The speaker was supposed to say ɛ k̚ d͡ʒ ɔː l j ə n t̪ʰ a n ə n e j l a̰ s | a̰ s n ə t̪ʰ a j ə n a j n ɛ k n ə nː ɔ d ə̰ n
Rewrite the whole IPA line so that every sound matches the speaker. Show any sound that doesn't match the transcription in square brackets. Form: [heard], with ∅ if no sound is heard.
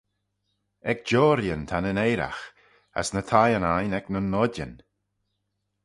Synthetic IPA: ɛ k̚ d͡ʒ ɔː [ɾ] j ə n t̪ʰ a n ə n e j [ɾ] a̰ [x] | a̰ s n ə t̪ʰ a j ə n a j n ɛ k n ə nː ɔ d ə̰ n